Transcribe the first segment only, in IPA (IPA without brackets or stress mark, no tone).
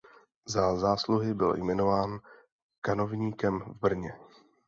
z